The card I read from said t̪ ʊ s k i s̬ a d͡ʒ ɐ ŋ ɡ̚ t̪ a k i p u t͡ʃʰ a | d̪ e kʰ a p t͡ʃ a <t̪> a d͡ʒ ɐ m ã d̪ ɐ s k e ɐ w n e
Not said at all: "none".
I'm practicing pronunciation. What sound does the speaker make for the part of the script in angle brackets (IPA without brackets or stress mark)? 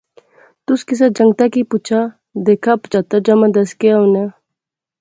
t̪